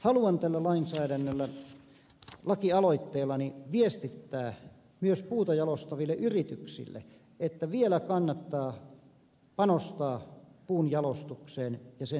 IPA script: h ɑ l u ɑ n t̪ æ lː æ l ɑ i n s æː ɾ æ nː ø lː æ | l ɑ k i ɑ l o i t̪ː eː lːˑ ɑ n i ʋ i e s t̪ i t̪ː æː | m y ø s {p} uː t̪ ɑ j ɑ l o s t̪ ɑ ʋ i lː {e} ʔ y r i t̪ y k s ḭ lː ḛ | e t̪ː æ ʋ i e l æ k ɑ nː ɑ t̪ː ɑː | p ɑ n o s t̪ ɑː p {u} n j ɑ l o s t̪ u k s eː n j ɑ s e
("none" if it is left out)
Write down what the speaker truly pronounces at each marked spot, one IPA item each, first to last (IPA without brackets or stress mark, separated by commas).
p, e, uː